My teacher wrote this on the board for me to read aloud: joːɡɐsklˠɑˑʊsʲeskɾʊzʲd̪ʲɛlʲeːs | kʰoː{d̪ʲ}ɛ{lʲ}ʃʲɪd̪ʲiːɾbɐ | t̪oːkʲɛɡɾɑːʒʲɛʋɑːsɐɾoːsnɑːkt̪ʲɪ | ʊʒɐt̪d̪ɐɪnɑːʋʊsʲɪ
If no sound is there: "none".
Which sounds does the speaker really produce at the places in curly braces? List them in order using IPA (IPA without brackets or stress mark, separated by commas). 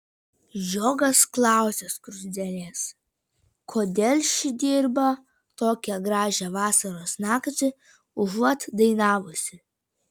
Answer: d̪ʲ, lʲ